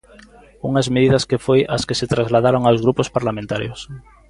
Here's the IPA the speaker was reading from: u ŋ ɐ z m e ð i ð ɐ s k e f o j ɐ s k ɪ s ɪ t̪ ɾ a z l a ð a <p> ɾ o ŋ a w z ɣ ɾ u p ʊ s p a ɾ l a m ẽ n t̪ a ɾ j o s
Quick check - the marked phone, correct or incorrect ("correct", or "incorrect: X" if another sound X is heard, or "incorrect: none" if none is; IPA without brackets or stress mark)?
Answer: incorrect: none